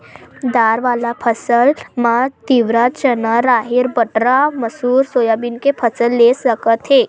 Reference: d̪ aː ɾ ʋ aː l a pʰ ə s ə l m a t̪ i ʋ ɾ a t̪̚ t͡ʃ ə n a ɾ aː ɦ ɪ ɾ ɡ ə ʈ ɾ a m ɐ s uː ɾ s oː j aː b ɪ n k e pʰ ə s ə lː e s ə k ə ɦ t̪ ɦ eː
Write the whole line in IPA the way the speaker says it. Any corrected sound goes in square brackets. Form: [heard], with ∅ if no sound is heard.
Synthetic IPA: d̪ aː ɾ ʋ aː l a pʰ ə s ə l m a t̪ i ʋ ɾ a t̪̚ t͡ʃ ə n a ɾ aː ɦ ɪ ɾ [b] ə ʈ ɾ a m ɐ s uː ɾ s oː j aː b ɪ n k e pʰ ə s ə lː e s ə k ə [∅] t̪ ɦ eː